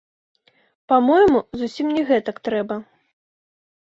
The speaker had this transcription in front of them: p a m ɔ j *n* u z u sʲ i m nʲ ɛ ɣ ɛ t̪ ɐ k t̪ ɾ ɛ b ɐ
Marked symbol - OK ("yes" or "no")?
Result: no